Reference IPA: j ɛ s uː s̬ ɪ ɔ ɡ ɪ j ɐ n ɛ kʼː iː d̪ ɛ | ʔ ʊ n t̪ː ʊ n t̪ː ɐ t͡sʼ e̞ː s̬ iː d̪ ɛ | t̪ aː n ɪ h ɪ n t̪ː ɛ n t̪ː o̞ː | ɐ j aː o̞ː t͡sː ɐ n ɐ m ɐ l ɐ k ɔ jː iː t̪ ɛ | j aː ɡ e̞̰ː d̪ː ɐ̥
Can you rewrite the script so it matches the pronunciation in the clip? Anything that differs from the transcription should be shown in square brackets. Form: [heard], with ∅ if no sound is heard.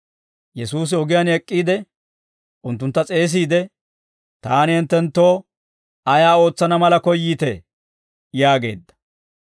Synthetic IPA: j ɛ s uː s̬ ɪ ɔ ɡ ɪ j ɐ n ɛ kʼː iː d̪ ɛ | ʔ ʊ n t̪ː ʊ n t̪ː ɐ t͡sʼ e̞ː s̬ iː d̪ ɛ | t̪ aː n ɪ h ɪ n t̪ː ɛ n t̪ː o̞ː | ɐ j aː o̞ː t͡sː ɐ n ɐ m ɐ l ɐ k ɔ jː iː t̪ ɛ | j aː ɡ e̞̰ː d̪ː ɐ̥